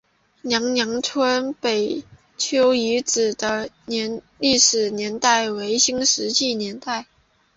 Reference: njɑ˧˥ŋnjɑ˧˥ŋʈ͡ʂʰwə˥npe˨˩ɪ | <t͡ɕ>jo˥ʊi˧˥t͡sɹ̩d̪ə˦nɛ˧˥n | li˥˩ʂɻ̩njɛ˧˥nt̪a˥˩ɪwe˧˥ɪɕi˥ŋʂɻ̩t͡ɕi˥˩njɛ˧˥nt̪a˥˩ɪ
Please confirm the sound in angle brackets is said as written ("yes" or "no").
no